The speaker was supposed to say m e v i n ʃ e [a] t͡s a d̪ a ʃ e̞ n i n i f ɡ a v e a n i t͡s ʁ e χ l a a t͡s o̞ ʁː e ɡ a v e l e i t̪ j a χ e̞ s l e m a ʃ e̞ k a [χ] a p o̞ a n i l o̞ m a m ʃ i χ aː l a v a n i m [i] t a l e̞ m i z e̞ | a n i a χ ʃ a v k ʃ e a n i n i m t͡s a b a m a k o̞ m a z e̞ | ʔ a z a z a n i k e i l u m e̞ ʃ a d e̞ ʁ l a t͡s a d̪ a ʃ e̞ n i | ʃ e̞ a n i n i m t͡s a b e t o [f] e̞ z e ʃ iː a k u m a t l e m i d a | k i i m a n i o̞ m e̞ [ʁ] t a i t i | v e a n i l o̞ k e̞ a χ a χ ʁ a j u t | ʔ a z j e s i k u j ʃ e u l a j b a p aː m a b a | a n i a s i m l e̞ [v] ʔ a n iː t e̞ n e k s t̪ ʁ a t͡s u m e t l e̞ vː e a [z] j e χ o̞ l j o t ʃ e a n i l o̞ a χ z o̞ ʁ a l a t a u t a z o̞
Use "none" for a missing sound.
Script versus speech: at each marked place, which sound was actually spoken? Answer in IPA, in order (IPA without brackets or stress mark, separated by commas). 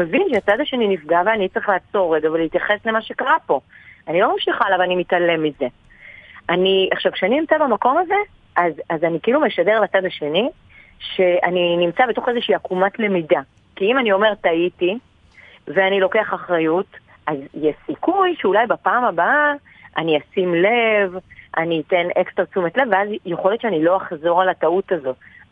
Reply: a, ʁ, i, χ, ʁ, v, z